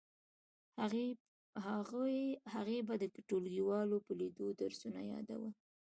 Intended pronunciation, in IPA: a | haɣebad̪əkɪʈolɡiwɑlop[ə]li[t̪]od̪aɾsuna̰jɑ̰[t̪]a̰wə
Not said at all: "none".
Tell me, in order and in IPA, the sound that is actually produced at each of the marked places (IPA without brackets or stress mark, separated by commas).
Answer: ə, d̪, d̪